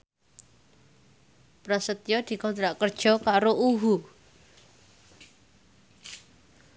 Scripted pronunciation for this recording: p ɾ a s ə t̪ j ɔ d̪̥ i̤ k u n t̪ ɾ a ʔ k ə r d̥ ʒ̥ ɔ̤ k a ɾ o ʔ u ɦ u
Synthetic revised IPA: p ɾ a s ə t̪ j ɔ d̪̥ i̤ k ɔ n t̪ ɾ a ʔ k ə r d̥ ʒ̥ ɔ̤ k a ɾ o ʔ u ɦ u